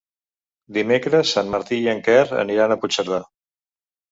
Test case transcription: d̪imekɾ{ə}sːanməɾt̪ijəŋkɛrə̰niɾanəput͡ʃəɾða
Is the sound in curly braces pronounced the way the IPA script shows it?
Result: yes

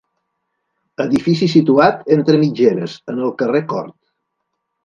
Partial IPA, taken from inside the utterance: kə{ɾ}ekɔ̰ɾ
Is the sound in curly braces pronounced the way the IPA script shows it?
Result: no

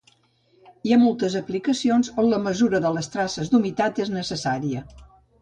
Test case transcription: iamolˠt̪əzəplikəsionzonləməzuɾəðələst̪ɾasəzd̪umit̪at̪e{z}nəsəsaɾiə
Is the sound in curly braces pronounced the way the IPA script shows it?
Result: yes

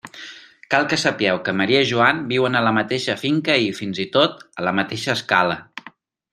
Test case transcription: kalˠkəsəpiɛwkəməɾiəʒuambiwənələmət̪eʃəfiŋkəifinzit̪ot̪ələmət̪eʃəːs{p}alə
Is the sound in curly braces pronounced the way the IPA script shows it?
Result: no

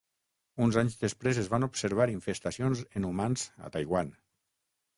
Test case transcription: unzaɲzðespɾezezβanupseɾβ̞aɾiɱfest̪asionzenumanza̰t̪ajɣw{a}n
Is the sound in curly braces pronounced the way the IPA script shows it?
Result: yes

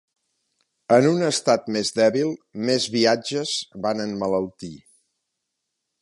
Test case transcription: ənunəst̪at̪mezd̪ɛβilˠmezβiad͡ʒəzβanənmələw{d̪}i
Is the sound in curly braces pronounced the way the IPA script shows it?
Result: no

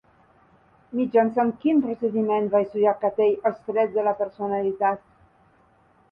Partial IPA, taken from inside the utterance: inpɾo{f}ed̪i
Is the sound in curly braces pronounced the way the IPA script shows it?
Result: no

